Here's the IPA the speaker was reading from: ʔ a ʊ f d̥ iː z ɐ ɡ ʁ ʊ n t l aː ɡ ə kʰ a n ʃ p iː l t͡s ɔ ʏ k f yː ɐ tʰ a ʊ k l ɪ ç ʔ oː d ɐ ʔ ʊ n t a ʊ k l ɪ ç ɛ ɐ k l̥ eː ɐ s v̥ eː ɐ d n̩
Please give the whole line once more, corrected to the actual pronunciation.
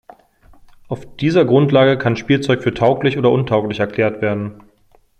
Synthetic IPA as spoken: ʔ a ʊ f d̥ iː z ɐ ɡ ʁ ʊ n t l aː ɡ ə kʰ a n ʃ p iː l t͡s ɔ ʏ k f yː ɐ tʰ a ʊ k l ɪ ç ʔ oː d ɐ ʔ ʊ n tʰ a ʊ k l ɪ ç ɛ ɐ k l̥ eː ɐ t v̥ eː ɐ d n̩